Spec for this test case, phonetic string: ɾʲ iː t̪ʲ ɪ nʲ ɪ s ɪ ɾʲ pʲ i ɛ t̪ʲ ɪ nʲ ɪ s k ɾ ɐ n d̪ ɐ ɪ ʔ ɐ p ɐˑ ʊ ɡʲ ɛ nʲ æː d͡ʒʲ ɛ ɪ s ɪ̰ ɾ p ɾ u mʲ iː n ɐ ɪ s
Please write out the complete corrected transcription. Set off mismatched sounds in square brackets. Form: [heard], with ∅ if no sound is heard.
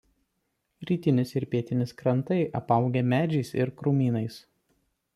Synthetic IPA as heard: ɾʲ iː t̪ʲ ɪ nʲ ɪ s ɪ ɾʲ pʲ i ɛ t̪ʲ ɪ nʲ ɪ s k ɾ ɐ n [t̪] ɐ ɪ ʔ ɐ p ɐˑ ʊ ɡʲ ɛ [mʲ] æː d͡ʒʲ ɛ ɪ s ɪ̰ ɾ [k] ɾ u mʲ iː n ɐ ɪ s